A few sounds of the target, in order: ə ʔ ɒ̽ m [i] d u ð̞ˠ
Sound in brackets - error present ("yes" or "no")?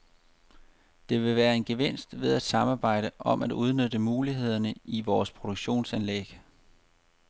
yes